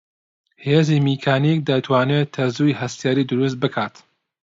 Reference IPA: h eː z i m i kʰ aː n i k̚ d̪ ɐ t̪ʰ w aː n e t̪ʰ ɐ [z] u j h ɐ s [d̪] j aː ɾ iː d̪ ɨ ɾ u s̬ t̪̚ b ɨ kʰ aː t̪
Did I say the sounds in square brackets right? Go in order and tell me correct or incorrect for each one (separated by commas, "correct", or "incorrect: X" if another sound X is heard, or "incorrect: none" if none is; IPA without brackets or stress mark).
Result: correct, incorrect: t̪